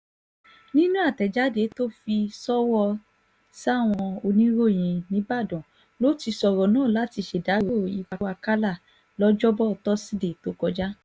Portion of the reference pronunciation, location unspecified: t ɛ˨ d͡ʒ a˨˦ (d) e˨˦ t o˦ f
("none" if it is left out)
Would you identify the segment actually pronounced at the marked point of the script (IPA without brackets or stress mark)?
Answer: d